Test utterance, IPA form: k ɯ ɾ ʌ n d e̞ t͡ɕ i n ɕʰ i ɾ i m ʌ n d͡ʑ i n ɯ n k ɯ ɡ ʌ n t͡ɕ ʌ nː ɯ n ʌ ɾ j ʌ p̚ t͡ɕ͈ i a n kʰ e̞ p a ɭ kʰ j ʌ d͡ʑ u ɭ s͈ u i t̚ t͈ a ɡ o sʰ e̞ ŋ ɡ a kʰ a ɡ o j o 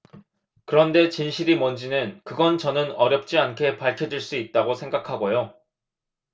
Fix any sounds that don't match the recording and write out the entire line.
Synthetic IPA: k ɯ ɾ ʌ n d e̞ t͡ɕ i n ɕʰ i ɾ i m ʌ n d͡ʑ i n ɯ n k ɯ ɡ ʌ n t͡ɕ ʌ n ɯ n ʌ ɾ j ʌ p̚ t͡ɕ͈ i a n kʰ e̞ p a ɭ kʰ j ʌ d͡ʑ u ɭ s͈ u i t̚ t͈ a ɡ o sʰ e̞ ŋ ɡ a kʰ a ɡ o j o

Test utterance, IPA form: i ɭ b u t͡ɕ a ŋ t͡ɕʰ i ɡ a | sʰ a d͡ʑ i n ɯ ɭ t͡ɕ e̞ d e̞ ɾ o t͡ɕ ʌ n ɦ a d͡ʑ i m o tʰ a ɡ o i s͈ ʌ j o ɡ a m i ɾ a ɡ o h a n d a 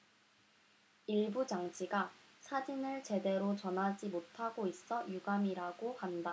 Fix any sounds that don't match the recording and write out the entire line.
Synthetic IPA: i ɭ b u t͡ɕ a ŋ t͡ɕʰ i ɡ a | sʰ a d͡ʑ i n ɯ ɭ t͡ɕ e̞ d e̞ ɾ o t͡ɕ ʌ n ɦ a d͡ʑ i m o tʰ a ɡ o i s͈ ʌ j u ɡ a m i ɾ a ɡ o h a n d a

